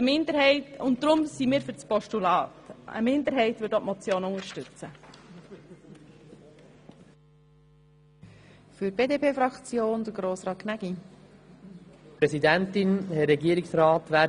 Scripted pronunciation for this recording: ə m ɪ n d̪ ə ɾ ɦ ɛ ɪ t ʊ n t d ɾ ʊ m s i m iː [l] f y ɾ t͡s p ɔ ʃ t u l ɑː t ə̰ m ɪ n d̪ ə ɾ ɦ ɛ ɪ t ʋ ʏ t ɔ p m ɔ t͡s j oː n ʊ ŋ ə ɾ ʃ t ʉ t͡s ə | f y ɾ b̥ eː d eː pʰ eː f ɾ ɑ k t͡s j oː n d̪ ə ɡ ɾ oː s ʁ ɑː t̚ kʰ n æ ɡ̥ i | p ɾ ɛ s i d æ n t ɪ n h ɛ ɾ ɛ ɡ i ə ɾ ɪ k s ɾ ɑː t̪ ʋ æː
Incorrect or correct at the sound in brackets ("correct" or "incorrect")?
incorrect